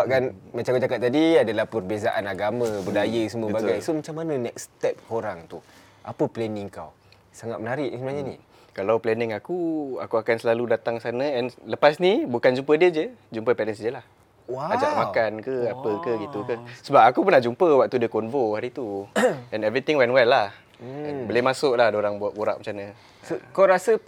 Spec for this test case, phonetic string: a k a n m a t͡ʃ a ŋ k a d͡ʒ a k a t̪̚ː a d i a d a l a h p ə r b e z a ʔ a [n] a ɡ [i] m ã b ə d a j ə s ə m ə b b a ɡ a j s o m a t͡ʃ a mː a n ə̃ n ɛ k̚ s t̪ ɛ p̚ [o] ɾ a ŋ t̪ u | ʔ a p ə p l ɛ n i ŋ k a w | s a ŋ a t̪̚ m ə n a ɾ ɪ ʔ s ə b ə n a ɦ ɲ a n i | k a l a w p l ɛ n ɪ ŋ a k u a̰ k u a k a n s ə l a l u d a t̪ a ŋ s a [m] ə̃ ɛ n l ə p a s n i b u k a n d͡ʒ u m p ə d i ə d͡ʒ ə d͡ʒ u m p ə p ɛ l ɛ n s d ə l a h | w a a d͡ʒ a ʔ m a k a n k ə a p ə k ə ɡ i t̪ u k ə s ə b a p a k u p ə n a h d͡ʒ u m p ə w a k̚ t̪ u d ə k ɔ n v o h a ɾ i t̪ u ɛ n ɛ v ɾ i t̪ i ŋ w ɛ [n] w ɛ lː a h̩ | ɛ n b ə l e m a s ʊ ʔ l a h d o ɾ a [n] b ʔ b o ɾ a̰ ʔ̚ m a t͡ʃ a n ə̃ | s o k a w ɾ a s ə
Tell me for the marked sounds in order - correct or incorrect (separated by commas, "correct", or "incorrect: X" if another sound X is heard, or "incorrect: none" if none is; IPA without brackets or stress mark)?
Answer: correct, incorrect: a, correct, incorrect: n, correct, incorrect: ŋ